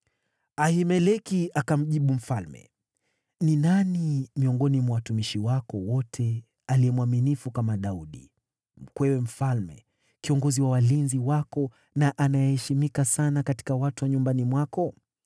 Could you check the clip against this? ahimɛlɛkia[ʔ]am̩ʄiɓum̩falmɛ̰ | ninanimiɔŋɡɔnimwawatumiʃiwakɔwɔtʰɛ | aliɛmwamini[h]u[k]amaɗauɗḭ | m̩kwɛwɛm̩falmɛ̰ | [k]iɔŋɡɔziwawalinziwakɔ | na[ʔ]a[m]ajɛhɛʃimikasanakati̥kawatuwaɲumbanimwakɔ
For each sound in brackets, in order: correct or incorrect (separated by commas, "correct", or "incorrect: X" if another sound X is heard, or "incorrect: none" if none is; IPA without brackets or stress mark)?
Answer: incorrect: k, incorrect: f, correct, correct, correct, incorrect: n